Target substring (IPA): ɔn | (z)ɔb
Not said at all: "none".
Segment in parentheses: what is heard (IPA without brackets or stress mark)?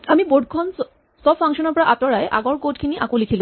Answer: s